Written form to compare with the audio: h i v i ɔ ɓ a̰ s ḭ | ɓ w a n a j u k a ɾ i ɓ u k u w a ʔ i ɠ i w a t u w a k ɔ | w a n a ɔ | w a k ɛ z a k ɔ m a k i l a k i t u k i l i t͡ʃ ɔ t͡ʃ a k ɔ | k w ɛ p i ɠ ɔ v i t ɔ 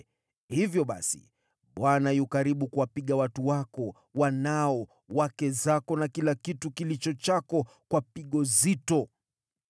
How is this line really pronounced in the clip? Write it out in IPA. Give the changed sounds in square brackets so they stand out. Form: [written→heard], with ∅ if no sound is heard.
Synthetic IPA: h i v [i→j] ɔ ɓ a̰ s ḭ | ɓ w a n a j u k a ɾ i ɓ u k u w a [ʔ→p] i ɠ [i→a] w a t u w a k ɔ | w a n a ɔ | w a k ɛ z a k ɔ [m→n] a k i l a k i t u k i l i t͡ʃ ɔ t͡ʃ a k ɔ | k w [ɛ→a] p i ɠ ɔ [v→z] i t ɔ